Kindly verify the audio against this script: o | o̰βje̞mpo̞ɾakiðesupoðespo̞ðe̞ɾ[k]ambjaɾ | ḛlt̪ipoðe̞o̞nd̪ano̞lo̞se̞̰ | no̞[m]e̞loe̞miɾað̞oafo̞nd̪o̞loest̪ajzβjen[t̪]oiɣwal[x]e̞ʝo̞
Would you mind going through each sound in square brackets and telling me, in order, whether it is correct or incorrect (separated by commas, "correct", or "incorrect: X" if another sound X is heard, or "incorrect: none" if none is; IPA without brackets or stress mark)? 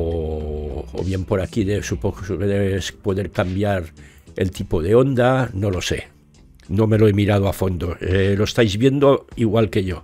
correct, correct, incorrect: d̪, incorrect: k